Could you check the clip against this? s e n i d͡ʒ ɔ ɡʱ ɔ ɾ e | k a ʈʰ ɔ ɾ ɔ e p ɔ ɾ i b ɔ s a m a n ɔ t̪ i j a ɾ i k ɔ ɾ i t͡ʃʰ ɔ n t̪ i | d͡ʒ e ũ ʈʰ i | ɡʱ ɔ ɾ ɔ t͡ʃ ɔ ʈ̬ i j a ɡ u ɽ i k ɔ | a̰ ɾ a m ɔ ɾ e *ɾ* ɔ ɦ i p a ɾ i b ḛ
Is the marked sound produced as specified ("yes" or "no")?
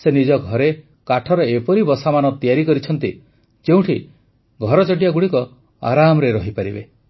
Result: yes